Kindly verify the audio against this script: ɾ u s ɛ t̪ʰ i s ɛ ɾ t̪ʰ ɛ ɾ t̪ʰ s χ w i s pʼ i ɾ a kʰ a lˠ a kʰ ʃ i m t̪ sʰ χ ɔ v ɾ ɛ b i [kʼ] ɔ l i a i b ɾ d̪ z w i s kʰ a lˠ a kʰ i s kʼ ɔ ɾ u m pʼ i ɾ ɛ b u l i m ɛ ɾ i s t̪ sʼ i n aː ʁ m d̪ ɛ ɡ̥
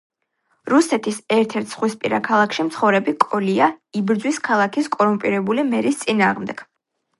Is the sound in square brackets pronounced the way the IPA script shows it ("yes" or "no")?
yes